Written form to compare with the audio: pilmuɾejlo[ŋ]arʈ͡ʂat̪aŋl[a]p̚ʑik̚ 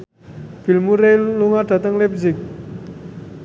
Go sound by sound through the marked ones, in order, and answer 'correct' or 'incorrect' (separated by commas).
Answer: correct, incorrect